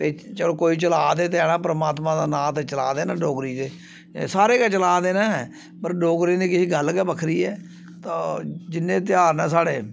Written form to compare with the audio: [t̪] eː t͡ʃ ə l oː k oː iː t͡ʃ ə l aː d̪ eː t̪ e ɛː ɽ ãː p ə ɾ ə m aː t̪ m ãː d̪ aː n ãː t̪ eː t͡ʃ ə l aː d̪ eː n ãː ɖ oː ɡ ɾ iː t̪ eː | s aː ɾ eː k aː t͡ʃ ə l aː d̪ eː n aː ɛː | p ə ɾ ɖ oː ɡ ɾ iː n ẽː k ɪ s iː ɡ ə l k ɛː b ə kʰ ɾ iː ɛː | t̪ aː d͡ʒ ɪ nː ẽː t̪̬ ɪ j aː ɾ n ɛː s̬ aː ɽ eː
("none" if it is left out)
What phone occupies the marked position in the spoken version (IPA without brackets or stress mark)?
t̪